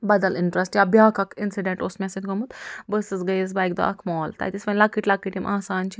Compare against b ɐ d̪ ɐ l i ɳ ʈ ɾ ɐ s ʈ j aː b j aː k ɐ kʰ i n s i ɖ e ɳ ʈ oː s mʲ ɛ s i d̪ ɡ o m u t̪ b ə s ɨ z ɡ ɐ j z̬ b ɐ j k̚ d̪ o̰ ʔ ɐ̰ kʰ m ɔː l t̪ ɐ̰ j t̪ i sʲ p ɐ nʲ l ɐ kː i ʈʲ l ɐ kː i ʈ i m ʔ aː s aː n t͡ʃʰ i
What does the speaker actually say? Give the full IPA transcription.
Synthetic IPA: b ɐ d̪ ɐ l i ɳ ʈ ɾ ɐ s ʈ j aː b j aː k ɐ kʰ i n s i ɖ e ɳ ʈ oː s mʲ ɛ s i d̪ ɡ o m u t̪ b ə s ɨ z ɡ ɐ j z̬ b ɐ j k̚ d̪ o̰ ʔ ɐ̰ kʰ m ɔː l t̪ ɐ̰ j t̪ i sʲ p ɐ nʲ l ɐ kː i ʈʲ l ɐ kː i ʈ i m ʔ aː s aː n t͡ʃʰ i